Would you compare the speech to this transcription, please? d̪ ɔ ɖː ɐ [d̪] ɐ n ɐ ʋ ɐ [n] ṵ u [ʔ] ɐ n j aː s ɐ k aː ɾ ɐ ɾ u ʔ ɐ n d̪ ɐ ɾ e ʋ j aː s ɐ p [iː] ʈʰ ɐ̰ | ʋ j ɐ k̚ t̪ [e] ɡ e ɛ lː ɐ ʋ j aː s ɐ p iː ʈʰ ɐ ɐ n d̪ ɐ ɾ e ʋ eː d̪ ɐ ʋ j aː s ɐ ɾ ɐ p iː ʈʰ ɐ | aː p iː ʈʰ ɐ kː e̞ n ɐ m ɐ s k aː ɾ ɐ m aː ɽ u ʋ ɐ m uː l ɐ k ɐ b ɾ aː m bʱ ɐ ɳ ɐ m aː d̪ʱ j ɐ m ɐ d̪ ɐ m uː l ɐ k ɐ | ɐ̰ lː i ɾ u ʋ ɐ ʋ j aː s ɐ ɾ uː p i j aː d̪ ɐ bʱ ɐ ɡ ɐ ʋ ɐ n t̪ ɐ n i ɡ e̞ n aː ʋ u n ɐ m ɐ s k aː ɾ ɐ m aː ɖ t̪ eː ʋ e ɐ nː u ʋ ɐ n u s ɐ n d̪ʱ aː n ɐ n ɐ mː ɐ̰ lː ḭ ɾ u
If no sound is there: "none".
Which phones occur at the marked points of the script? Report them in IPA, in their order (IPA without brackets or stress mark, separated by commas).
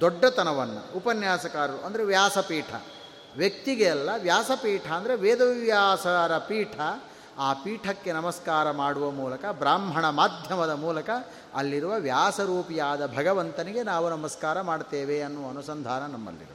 t̪, nː, p, iː, i